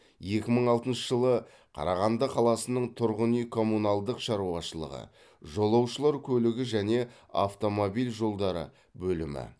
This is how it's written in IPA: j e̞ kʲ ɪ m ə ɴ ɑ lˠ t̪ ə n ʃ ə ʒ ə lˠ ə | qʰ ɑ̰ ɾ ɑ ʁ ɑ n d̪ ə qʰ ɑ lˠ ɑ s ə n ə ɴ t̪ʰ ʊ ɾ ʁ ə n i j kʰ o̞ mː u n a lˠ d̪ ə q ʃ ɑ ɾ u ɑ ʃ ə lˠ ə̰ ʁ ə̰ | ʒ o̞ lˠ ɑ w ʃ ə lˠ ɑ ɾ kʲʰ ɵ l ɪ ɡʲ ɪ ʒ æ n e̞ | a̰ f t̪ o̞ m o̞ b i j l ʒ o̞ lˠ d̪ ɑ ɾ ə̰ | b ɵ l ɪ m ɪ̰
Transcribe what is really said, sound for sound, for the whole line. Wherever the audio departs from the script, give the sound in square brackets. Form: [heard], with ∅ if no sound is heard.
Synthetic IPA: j e̞ kʲ ɪ m ə ɴ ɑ lˠ t̪ ə n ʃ ə ʒ ə lˠ ə | qʰ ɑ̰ ɾ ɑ ʁ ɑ n d̪ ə qʰ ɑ lˠ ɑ s ə n ə ɴ t̪ʰ ʊ ɾ ʁ ə n i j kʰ o̞ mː u n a lˠ d̪ ə q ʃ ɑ ɾ u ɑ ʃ ə lˠ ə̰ ʁ ə̰ | ʒ o̞ lˠ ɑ w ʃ ə lˠ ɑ ɾ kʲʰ ɵ l ɪ ɡʲ ɪ ʒ æ n e̞ | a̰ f t̪ o̞ m o̞ b i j l ʒ o̞ lˠ d̪ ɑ ɾ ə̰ | b ɵ l ɪ m ɪ̰